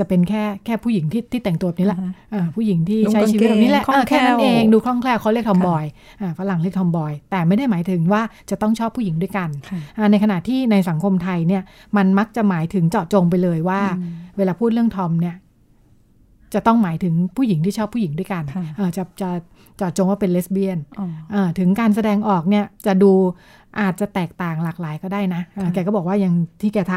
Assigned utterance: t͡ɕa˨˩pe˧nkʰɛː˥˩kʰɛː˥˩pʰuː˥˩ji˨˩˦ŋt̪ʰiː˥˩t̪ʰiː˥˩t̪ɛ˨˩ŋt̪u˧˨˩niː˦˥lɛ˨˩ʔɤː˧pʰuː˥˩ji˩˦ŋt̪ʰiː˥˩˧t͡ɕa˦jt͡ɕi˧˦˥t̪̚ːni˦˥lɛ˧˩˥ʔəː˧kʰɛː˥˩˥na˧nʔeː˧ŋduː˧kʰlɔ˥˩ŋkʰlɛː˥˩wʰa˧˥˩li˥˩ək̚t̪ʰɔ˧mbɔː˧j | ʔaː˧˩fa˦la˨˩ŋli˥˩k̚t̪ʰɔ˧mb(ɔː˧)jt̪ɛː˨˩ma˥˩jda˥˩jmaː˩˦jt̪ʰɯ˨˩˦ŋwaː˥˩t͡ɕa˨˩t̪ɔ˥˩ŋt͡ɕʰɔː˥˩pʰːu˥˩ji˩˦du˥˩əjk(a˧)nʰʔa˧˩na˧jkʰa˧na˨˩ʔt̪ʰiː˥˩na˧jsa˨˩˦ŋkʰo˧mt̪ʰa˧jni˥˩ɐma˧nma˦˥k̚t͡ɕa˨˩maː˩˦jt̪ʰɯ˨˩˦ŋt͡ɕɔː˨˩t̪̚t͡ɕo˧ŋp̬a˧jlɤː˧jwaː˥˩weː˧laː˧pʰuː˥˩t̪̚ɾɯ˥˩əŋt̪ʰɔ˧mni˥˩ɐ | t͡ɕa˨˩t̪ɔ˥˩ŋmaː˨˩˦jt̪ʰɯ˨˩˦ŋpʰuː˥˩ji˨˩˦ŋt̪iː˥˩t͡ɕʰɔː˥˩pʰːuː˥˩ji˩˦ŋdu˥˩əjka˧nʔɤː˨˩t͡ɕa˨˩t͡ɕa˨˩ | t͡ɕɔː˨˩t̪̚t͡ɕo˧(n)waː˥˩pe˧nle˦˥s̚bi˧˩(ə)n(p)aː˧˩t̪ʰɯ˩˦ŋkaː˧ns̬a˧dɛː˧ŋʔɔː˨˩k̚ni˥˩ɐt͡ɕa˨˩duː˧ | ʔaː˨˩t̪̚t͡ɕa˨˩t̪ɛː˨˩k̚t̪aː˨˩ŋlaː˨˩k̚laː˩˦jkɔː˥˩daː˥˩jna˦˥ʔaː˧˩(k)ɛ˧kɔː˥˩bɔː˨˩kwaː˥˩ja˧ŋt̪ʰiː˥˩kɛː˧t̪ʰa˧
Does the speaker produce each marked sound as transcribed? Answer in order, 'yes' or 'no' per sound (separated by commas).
yes, yes, no, yes, no, yes